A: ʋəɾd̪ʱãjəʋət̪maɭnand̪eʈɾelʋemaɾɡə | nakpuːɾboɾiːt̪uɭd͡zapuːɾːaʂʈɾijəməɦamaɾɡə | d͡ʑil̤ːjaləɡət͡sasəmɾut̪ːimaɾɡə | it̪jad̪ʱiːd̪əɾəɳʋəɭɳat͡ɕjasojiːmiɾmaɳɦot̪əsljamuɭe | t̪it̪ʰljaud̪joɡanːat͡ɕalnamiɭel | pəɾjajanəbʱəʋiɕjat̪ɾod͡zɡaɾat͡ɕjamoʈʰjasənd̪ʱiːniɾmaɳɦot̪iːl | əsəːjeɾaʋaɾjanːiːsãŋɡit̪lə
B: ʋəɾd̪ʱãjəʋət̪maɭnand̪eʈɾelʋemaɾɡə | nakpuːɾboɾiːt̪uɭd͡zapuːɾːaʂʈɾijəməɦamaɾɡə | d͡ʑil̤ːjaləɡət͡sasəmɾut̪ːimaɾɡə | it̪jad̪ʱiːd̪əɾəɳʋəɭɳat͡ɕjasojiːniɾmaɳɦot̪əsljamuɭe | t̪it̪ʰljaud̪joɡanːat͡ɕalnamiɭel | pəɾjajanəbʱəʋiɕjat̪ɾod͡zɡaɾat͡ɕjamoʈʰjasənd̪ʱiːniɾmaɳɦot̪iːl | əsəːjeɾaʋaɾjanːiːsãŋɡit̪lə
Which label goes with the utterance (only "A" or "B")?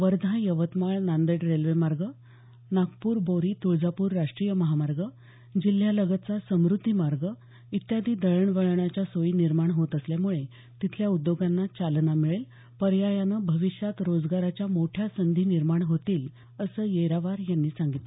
B